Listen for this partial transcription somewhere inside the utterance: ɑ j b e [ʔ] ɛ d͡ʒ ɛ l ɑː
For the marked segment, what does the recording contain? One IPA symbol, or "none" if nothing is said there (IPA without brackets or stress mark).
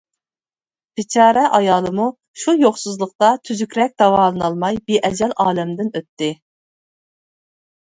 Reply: ʔ